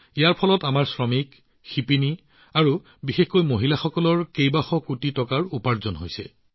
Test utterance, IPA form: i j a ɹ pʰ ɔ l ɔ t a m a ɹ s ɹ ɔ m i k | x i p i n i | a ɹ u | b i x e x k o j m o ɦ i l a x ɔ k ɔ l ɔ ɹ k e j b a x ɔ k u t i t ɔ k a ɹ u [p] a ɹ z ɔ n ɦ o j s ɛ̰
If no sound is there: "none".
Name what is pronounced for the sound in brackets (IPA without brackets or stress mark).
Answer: p